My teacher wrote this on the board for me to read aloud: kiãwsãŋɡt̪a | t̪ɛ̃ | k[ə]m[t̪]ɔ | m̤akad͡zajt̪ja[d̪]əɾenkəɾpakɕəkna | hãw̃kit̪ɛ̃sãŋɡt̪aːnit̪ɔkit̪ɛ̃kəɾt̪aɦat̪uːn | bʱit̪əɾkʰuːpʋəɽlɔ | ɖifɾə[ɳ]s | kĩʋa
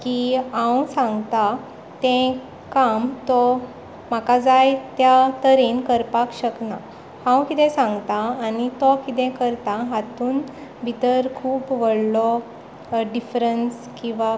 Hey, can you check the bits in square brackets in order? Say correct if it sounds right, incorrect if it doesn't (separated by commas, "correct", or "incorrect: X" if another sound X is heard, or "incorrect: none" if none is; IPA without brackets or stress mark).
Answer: incorrect: a, correct, incorrect: t̪, incorrect: n